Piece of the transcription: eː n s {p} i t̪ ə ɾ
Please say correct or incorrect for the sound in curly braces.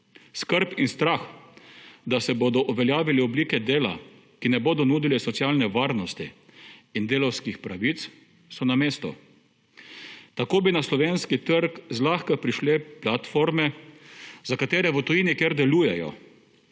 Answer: incorrect